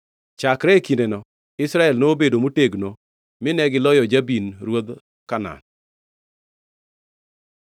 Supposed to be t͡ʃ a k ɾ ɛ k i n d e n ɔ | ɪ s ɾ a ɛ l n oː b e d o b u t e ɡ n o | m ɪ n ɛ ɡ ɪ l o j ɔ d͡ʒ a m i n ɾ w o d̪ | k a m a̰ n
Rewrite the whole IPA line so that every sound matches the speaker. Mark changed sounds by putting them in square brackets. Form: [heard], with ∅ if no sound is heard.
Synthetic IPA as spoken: t͡ʃ a k ɾ ɛ k i n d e n ɔ | ɪ s ɾ a ɛ l n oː b e d o [m] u t e ɡ n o | m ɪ n ɛ ɡ ɪ l [ɔ] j ɔ d͡ʒ a [b] i n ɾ w o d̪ | k a [n] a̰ n